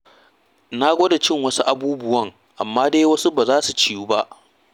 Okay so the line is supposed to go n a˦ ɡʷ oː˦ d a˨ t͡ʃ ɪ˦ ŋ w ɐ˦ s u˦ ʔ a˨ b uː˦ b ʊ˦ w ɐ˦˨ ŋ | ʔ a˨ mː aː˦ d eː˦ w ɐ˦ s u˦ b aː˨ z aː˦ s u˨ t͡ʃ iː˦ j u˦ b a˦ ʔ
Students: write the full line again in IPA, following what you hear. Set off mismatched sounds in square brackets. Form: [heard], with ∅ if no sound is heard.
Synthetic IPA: n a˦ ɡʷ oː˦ d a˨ t͡ʃ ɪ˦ ŋ w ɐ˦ s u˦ ʔ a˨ b uː˦ b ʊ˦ w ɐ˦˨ ŋ | ʔ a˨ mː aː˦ d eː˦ w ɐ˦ s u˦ b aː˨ z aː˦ s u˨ t͡ʃ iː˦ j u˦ b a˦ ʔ